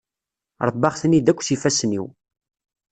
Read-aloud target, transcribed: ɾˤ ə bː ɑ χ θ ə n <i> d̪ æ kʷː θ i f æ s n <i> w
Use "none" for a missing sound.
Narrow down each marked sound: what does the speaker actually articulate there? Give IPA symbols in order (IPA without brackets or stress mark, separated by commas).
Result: i, i